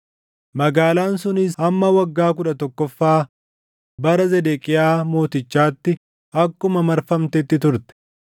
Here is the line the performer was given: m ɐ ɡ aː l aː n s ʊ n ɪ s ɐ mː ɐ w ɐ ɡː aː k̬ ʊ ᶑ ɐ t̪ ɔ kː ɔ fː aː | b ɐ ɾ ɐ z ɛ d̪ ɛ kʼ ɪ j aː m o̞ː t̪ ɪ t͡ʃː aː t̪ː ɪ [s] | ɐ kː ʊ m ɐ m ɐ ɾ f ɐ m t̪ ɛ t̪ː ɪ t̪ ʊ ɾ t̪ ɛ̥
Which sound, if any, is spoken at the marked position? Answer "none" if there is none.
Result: none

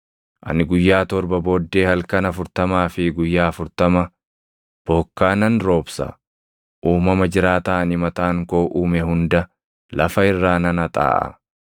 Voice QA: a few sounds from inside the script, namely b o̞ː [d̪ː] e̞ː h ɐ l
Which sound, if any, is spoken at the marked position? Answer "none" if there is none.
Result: d̪ː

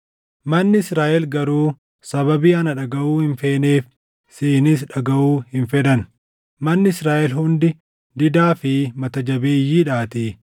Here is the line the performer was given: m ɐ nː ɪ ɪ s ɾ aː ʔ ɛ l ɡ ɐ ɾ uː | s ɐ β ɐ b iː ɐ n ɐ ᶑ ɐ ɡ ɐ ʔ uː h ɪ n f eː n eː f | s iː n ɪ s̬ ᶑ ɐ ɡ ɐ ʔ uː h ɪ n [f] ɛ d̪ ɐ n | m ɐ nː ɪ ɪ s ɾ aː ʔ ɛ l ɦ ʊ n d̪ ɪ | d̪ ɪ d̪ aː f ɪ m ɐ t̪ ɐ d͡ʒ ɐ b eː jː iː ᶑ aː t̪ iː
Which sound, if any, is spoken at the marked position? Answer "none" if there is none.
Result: f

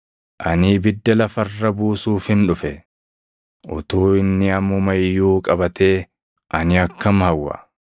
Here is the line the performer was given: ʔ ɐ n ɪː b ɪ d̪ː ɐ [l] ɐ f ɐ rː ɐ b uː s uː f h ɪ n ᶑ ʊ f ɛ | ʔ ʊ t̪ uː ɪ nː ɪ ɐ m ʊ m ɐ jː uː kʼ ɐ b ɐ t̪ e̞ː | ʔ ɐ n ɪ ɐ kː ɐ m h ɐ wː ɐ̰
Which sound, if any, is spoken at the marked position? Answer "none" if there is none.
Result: l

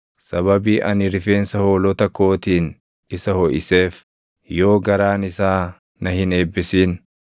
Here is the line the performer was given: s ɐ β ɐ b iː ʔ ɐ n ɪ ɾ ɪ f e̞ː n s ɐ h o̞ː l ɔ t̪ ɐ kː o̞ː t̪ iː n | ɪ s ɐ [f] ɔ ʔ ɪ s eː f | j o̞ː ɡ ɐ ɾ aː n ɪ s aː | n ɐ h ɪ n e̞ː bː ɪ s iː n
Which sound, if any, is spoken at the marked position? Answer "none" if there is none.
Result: h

